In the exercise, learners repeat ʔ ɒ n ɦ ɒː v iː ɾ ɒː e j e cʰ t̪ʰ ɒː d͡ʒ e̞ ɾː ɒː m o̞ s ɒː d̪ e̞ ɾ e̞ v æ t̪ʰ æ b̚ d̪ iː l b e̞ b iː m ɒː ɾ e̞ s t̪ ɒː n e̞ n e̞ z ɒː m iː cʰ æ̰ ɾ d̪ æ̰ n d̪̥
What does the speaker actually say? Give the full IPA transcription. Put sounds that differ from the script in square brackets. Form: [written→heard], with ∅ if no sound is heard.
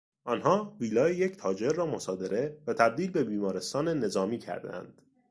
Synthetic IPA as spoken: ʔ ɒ n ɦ ɒː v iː [ɾ→l] ɒː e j e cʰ t̪ʰ ɒː d͡ʒ e̞ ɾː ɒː m o̞ s ɒː d̪ e̞ ɾ e̞ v æ t̪ʰ æ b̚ d̪ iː l b e̞ b iː m ɒː ɾ e̞ s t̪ ɒː n e̞ n e̞ z ɒː m iː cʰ æ̰ ɾ d̪ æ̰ n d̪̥